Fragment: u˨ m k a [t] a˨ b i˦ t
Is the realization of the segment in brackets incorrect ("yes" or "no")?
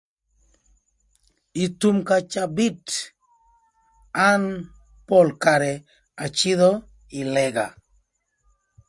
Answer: yes